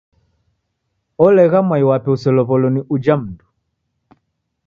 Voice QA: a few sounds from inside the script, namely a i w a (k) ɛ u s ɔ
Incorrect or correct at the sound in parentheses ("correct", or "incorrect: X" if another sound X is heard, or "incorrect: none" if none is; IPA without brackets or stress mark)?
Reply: incorrect: p